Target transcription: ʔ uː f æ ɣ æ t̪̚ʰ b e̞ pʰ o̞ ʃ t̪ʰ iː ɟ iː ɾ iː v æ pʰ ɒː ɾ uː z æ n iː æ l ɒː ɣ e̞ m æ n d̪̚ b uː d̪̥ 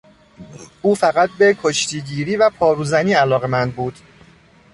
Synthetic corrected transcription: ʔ uː f æ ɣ æ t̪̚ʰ b e̞ kʰ o̞ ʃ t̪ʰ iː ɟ iː ɾ iː v æ pʰ ɒː ɾ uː z æ n iː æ l ɒː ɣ e̞ m æ n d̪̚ b uː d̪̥

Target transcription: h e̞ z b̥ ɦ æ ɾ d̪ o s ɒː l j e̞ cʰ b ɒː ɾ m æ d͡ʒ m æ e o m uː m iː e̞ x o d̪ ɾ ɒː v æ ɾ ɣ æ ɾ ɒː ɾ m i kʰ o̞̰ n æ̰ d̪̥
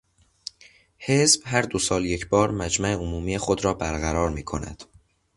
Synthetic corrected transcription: h e̞ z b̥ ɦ æ ɾ d̪ o s ɒː l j e̞ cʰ b ɒː ɾ m æ d͡ʒ m æ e o m uː m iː e̞ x o d̪ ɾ ɒː b æ ɾ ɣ æ ɾ ɒː ɾ m iː kʰ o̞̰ n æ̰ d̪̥

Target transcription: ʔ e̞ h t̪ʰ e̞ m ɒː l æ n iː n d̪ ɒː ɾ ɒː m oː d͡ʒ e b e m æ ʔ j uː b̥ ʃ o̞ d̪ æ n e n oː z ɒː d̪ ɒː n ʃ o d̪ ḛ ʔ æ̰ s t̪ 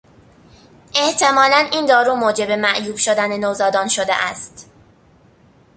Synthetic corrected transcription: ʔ e̞ h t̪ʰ e̞ m ɒː l æ n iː n d̪ ɒː ɾ uː m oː d͡ʒ e b e m æ ʔ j uː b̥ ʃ o̞ d̪ æ n e n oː z ɒː d̪ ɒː n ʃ o d̪ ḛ ʔ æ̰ s t̪

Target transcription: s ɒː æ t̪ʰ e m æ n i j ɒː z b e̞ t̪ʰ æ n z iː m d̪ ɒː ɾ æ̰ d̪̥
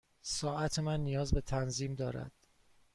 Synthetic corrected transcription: s ɒː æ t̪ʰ e m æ nː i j ɒː z b e̞ t̪ʰ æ n z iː m d̪ ɒː ɾ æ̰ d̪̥

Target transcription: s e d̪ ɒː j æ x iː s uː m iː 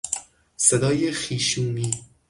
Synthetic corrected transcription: s e d̪ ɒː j e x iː ʃ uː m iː

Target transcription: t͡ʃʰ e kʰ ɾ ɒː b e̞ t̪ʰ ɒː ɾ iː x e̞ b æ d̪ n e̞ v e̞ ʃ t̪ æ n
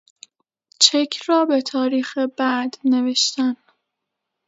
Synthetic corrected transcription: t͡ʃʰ e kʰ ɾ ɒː b e̞ t̪ʰ ɒː ɾ iː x e̞ b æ d̪ n e̞ v e̞ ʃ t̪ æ n

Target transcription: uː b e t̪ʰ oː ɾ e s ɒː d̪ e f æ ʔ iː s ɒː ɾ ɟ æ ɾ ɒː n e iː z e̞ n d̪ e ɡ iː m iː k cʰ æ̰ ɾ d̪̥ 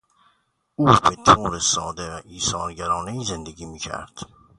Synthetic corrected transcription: uː b e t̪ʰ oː ɾ e s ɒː d̪ e v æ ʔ iː s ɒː ɾ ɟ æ ɾ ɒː n e iː z e̞ n d̪ e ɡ iː m iː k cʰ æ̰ ɾ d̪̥

